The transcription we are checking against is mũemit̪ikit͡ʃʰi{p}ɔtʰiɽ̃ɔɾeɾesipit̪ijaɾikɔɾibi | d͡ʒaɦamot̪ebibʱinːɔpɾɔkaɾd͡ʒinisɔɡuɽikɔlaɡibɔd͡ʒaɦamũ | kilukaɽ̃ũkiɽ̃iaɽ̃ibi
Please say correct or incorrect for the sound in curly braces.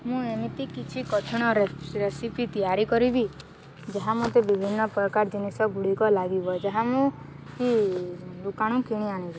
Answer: incorrect